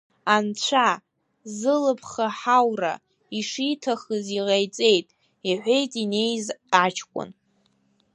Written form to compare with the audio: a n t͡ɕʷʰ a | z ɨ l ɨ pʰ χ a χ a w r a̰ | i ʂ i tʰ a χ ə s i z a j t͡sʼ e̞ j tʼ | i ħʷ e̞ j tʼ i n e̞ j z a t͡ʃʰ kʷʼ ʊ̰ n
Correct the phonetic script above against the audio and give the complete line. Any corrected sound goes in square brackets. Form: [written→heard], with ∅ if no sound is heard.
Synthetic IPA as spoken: a n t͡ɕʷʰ a | z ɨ l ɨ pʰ χ a [χ→ħ] a w r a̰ | i ʂ i tʰ a χ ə [s→z] i [z→ʁ] a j t͡sʼ e̞ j tʼ | i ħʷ e̞ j tʼ i n e̞ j z a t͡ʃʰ kʷʼ ʊ̰ n